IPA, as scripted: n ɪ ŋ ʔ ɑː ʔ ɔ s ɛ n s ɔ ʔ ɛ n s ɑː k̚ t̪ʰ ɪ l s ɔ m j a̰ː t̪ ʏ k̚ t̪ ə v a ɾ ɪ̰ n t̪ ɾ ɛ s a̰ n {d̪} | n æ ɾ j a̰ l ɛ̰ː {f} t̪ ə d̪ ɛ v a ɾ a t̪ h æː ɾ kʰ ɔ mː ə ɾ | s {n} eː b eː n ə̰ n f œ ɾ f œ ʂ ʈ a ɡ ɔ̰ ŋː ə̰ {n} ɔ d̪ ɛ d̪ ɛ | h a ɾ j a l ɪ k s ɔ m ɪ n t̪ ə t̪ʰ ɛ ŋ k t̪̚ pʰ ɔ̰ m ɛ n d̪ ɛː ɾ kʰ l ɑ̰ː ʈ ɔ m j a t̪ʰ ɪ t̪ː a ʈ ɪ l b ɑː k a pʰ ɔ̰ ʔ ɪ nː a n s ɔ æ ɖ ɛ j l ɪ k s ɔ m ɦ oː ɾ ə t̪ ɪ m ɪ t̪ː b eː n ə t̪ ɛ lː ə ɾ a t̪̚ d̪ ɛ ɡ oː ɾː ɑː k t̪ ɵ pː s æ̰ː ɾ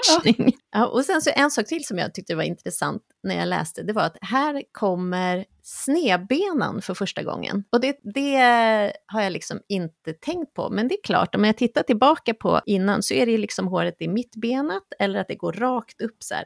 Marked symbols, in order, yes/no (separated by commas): no, no, yes, yes